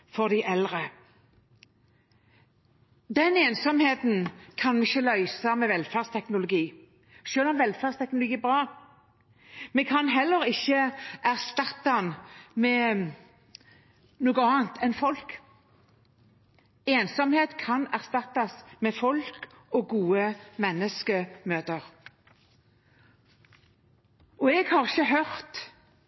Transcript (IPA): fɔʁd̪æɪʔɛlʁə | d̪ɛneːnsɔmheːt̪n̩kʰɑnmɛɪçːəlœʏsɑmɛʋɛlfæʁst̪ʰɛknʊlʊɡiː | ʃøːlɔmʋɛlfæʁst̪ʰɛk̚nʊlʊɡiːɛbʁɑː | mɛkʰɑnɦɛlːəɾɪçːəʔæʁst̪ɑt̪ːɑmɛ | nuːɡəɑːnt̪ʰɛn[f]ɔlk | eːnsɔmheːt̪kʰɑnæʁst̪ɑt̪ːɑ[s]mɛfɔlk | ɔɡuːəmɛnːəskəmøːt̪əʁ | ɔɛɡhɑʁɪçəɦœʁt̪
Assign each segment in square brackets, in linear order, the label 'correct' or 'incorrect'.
correct, correct

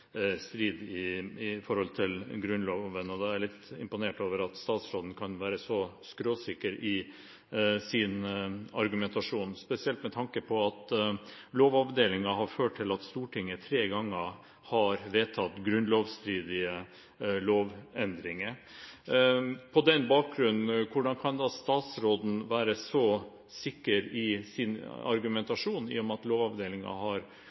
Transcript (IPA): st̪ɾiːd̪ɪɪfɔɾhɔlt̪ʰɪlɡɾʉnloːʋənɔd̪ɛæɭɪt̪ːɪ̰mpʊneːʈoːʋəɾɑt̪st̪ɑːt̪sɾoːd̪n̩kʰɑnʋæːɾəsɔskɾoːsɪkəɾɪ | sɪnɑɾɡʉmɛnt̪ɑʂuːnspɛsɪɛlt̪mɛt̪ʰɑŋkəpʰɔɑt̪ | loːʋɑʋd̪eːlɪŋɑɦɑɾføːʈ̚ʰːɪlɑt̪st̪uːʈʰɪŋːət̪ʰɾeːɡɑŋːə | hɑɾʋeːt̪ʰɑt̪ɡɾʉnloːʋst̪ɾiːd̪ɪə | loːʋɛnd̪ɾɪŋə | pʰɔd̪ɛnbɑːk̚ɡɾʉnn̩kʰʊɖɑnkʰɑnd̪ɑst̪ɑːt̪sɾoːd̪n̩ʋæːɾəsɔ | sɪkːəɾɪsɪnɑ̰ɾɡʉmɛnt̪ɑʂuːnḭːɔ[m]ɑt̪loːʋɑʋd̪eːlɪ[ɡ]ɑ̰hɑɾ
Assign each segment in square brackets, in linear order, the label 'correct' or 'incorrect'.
correct, incorrect: ŋ

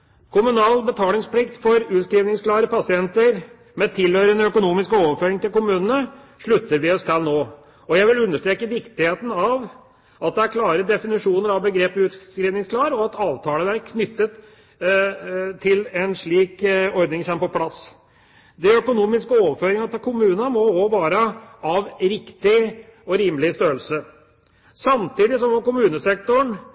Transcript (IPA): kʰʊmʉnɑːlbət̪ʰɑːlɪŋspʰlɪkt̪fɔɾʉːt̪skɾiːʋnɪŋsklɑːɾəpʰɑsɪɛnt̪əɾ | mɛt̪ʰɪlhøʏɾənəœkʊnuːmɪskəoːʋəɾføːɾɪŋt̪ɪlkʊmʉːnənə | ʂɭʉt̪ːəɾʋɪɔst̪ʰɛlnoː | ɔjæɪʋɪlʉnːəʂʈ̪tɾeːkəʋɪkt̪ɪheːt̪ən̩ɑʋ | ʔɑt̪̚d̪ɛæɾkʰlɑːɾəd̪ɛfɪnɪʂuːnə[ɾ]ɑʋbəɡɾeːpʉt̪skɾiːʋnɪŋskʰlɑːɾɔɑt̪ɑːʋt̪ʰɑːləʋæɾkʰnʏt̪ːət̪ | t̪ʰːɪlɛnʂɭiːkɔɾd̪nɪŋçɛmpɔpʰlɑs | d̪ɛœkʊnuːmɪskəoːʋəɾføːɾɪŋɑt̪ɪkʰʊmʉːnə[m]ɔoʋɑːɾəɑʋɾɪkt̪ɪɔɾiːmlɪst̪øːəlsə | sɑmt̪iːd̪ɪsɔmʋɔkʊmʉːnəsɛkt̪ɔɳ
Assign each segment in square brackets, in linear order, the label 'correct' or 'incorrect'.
correct, correct

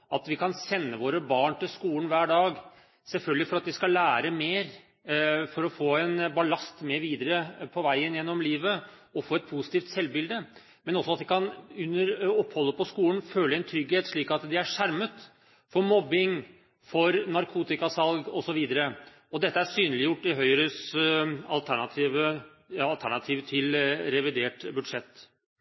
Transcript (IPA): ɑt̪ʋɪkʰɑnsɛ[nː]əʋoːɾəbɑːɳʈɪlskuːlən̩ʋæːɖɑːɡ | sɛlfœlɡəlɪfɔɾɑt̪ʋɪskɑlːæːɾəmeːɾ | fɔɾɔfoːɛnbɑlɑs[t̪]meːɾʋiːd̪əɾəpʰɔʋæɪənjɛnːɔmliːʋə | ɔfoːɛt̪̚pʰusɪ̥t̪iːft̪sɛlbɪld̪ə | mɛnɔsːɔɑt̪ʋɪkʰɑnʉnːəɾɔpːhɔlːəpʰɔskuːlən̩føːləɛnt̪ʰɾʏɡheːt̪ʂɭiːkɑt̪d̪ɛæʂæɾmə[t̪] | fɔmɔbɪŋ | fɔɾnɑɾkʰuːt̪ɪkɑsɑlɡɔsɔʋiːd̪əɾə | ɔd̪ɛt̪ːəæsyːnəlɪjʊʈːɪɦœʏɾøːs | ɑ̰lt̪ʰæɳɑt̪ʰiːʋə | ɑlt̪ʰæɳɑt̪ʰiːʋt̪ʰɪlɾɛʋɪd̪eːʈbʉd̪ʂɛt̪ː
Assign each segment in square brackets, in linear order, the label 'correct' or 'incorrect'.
correct, correct, correct

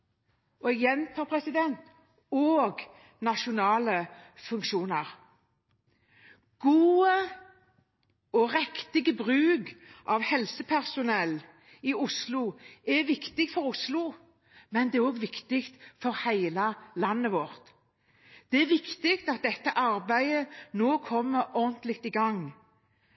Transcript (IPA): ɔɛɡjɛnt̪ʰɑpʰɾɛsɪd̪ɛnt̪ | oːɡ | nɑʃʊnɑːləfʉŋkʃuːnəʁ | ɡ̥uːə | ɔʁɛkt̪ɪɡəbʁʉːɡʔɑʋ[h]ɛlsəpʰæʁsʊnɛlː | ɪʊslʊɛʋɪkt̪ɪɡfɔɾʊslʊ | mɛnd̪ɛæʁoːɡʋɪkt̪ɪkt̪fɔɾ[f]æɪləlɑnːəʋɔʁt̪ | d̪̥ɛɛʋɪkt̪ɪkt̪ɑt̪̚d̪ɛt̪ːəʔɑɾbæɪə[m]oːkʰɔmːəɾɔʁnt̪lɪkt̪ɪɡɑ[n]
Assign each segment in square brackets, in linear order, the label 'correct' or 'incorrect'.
correct, incorrect: h, incorrect: n, incorrect: ŋ

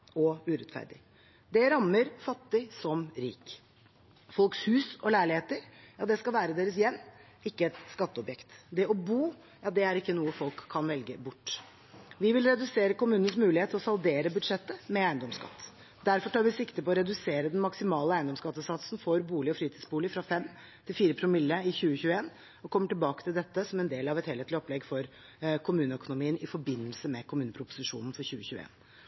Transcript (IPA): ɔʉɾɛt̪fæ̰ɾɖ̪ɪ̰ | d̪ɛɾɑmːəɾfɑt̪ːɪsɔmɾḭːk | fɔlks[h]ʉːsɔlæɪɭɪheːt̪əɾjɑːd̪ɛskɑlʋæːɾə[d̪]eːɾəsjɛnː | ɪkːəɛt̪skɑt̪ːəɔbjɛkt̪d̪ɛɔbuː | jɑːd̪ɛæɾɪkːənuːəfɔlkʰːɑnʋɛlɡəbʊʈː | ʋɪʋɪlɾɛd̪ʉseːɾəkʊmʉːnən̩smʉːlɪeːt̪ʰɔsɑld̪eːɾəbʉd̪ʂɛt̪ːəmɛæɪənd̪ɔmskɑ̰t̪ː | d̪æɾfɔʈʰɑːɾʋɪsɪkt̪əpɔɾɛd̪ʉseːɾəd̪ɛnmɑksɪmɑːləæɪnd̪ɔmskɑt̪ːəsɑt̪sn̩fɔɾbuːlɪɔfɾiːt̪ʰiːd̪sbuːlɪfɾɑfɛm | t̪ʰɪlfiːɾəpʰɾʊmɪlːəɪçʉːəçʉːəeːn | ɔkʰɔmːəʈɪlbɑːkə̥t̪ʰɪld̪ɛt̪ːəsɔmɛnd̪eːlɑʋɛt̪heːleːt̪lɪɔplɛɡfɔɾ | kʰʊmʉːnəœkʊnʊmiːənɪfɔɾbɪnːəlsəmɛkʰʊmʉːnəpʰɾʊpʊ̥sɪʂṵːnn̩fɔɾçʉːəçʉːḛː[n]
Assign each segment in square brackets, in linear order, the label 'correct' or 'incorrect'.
correct, correct, correct

